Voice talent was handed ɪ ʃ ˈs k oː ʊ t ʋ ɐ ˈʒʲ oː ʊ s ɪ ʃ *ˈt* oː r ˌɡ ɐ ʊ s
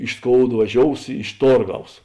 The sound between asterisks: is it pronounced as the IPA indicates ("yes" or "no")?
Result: yes